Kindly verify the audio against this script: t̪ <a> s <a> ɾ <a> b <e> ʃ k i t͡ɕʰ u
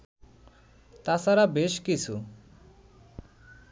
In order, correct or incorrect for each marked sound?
correct, correct, correct, correct

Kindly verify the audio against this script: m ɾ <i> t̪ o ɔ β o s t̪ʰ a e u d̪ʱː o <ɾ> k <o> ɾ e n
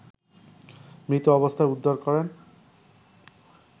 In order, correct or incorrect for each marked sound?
correct, correct, incorrect

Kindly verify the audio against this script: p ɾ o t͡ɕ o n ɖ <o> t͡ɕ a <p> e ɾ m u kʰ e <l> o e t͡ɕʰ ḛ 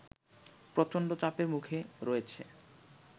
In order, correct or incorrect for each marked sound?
correct, correct, incorrect

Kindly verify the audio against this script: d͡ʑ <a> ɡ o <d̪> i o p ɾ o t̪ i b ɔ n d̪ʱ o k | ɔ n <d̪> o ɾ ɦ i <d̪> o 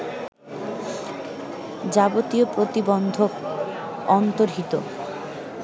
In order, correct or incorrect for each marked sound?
correct, incorrect, incorrect, incorrect

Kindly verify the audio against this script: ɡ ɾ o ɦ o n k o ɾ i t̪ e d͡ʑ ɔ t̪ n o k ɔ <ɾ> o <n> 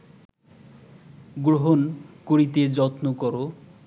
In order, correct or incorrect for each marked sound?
correct, incorrect

